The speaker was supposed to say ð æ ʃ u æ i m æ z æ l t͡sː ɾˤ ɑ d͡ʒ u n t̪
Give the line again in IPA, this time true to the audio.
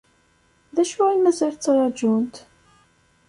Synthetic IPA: ð æ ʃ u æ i m æ z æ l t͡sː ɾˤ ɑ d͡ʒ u n t̪